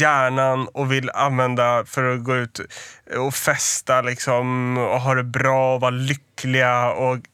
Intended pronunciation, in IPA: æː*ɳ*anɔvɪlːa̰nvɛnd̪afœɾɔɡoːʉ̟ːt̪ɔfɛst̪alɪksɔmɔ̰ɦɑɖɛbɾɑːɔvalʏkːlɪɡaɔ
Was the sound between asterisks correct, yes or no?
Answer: yes